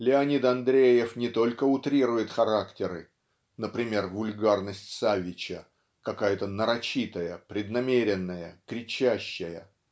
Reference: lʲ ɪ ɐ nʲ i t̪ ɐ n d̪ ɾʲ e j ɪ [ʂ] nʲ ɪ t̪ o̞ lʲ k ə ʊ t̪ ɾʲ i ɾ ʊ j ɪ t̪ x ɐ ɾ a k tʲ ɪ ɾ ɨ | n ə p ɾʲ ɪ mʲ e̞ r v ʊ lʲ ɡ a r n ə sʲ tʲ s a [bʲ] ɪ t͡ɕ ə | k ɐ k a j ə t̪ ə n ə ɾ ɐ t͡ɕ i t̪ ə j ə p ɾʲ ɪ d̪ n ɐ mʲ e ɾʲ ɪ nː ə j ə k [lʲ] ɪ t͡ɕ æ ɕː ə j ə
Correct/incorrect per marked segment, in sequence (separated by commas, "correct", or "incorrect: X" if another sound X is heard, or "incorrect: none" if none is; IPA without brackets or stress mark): incorrect: f, incorrect: vʲ, incorrect: ɾʲ